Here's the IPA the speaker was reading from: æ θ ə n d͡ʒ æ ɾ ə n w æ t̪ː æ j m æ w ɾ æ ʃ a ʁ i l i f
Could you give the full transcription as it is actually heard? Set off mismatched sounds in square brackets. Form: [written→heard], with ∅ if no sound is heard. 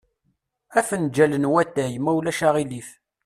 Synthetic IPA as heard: æ [θ→f] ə n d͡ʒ æ [ɾ→l] ə n w æ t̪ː æ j m æ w [ɾ→l] æ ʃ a ʁ i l i f